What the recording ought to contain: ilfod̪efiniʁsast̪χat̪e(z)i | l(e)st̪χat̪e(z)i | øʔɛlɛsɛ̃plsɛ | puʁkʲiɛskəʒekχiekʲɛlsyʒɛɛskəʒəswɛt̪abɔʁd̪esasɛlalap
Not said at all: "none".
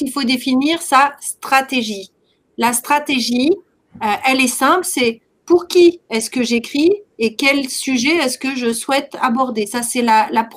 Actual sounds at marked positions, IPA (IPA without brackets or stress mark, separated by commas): ʒ, a, ʒ